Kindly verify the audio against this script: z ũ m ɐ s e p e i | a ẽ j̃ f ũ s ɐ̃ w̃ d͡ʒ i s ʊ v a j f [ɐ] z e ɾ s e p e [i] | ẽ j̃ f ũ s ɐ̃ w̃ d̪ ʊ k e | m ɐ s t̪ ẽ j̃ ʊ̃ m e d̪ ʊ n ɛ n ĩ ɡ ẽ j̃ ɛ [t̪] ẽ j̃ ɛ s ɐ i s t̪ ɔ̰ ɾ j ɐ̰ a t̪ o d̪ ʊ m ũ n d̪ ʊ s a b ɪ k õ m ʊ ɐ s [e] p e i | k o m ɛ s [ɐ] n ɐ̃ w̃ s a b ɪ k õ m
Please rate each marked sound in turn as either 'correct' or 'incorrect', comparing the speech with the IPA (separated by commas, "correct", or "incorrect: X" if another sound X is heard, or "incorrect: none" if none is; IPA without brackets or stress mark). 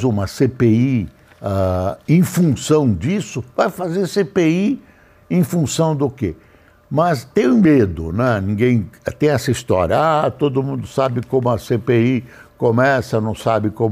incorrect: a, correct, correct, correct, correct